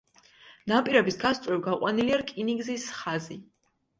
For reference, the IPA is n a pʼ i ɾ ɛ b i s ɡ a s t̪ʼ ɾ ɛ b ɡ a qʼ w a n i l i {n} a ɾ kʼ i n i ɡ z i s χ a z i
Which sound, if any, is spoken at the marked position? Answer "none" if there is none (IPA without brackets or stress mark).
none